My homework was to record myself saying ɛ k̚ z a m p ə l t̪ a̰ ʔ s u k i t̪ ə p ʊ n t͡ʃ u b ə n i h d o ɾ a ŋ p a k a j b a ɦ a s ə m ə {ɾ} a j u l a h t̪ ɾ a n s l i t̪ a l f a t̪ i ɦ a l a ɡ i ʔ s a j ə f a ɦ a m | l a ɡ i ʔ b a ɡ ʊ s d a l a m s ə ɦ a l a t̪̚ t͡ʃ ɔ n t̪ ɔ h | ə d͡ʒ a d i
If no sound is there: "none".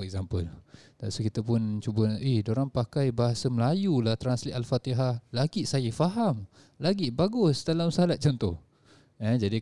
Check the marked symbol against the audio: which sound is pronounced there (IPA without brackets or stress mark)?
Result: l